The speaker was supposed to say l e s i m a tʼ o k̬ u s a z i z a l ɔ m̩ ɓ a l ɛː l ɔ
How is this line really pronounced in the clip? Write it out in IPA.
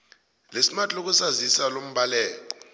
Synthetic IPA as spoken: l e s i m a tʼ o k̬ u s a z i s a l o m̩ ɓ a l ɛː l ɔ